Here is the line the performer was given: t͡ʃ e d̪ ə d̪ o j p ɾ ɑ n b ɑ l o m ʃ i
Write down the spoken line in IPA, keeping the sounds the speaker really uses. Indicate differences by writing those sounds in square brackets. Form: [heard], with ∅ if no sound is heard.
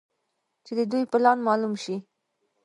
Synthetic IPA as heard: t͡ʃ e d̪ ə d̪ [u] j p [l] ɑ n [m] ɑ l [u] m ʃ i